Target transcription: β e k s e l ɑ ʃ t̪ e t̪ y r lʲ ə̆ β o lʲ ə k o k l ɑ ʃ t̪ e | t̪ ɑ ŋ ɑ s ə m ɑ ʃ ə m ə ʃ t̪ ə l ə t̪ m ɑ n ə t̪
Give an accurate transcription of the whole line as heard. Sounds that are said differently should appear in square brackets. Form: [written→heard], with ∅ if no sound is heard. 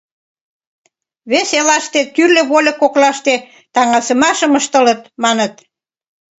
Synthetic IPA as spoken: β e [k→∅] s e l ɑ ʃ t̪ e t̪ y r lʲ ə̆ β o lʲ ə k o k l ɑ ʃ t̪ e | t̪ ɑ ŋ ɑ s ə m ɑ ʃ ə m ə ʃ t̪ ə l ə t̪ m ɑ n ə t̪